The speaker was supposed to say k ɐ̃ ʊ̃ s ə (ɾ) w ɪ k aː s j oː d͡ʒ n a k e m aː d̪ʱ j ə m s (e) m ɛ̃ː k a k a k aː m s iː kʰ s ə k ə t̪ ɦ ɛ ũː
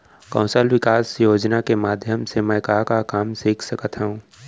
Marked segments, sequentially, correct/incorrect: incorrect, correct

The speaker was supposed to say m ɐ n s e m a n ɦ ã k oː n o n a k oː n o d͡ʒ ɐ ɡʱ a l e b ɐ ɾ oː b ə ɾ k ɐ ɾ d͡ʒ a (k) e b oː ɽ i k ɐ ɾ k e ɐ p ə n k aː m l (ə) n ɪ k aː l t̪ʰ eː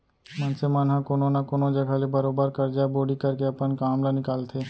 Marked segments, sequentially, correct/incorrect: incorrect, incorrect

